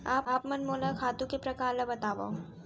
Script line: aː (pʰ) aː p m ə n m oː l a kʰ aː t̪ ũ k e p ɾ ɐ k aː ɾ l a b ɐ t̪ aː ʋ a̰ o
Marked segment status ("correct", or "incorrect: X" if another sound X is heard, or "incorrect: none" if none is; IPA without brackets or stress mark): incorrect: p